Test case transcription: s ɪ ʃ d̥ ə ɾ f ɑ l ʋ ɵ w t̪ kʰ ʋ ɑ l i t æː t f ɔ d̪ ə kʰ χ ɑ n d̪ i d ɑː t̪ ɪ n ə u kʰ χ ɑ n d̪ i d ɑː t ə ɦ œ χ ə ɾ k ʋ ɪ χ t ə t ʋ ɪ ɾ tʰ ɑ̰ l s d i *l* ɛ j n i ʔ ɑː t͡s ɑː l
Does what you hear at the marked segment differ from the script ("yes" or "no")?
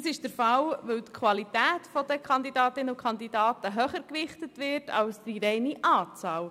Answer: yes